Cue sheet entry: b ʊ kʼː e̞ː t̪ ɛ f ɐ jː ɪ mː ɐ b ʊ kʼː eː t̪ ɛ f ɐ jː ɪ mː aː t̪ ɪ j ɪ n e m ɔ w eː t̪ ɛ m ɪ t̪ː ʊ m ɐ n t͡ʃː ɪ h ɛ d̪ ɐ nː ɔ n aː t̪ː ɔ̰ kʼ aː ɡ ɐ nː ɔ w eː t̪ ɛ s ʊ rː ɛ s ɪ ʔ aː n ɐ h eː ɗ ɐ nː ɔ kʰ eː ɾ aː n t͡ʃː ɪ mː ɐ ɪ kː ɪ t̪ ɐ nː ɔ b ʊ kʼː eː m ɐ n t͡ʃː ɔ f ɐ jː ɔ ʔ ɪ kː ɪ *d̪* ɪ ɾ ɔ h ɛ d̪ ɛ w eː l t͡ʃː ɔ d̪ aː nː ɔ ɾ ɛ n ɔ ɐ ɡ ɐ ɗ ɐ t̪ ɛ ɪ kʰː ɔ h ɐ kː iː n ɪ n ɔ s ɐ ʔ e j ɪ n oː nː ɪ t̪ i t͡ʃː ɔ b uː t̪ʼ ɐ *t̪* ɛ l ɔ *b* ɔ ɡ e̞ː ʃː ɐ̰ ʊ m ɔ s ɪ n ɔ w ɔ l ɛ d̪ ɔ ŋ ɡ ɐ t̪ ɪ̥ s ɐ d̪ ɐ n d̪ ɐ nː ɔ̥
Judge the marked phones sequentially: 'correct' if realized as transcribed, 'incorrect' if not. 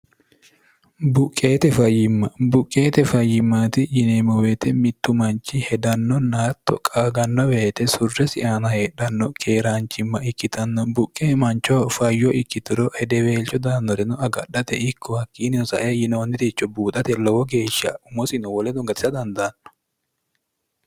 incorrect, correct, incorrect

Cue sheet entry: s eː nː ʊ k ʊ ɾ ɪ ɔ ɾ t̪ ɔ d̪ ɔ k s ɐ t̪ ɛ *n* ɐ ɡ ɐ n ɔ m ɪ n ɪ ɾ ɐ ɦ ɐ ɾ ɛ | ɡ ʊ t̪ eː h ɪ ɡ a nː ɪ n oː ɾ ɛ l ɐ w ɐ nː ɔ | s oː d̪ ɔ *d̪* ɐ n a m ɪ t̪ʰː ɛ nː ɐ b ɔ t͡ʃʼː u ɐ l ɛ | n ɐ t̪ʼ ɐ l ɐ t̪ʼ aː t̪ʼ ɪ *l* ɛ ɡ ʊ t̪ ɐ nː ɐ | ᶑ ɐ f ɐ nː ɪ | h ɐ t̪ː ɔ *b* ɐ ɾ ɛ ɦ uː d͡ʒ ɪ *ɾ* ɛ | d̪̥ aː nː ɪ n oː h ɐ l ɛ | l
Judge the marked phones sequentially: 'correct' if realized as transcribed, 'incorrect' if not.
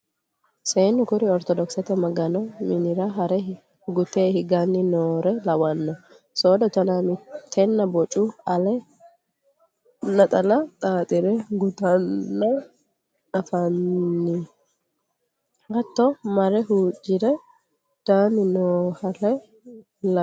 incorrect, incorrect, incorrect, incorrect, correct

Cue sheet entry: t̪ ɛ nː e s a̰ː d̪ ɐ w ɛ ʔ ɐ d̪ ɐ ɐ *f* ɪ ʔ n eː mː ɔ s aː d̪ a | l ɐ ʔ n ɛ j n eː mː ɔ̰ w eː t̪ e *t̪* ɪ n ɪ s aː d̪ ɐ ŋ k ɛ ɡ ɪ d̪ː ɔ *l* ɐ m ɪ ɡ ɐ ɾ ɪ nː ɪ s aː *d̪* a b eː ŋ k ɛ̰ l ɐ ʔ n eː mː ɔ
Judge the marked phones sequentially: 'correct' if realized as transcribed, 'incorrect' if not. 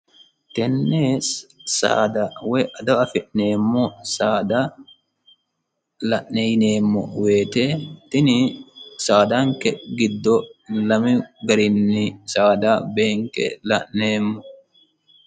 correct, correct, correct, correct

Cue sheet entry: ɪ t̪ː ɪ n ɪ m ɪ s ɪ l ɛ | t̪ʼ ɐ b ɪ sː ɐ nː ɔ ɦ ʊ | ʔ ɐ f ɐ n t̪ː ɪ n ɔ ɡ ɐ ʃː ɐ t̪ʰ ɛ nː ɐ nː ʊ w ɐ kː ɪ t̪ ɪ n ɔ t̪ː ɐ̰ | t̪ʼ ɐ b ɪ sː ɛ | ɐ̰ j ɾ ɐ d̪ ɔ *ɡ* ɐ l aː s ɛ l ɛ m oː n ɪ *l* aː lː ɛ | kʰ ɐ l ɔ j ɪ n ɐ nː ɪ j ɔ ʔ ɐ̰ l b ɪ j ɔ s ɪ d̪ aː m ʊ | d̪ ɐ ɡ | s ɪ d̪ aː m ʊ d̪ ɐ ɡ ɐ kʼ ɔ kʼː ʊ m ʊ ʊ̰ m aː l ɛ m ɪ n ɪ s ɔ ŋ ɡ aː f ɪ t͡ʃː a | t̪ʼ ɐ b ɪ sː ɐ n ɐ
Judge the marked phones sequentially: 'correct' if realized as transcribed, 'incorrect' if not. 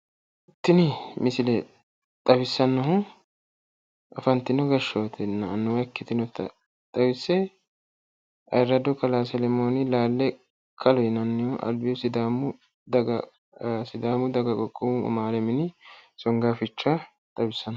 incorrect, correct

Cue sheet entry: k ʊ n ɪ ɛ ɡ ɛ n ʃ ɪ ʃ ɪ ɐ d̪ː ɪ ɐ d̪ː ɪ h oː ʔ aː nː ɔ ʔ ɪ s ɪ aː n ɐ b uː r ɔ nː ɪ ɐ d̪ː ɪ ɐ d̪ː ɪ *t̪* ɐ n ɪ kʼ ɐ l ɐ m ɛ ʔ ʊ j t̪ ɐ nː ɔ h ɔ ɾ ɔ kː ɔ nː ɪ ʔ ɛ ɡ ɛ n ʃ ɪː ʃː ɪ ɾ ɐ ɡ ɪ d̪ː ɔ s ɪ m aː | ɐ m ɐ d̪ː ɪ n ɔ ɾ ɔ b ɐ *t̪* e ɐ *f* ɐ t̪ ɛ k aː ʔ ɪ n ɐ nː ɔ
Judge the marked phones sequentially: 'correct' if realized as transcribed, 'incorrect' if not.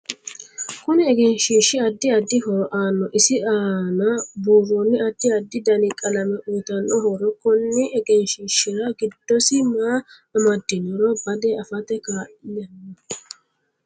incorrect, incorrect, correct

